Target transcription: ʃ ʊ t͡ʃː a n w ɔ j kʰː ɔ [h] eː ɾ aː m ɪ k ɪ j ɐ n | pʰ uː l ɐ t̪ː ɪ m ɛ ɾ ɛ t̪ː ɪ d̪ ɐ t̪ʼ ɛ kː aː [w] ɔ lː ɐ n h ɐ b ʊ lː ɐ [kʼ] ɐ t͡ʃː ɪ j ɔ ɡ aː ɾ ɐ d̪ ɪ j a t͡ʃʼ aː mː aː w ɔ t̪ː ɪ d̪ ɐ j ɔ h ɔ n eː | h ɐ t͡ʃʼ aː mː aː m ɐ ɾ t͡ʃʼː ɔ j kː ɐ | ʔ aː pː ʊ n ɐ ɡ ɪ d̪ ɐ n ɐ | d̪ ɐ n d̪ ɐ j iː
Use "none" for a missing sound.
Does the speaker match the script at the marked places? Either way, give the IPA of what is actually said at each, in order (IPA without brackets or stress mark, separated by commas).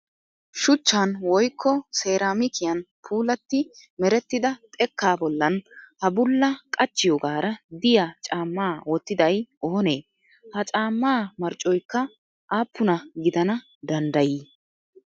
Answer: s, b, kʼ